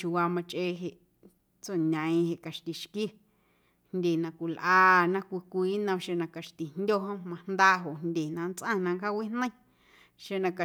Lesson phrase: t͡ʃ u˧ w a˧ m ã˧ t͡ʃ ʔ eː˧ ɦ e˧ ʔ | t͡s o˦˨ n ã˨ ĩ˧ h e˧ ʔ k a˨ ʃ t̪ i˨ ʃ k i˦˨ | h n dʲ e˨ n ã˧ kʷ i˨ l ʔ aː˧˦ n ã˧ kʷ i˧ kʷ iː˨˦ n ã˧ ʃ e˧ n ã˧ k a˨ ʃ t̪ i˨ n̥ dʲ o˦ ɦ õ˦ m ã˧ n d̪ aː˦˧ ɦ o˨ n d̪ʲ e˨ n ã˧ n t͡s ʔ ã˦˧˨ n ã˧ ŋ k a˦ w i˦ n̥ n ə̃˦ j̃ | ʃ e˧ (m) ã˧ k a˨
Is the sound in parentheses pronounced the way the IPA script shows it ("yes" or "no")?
no